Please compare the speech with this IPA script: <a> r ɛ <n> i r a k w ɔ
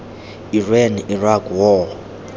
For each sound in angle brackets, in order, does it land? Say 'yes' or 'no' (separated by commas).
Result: no, yes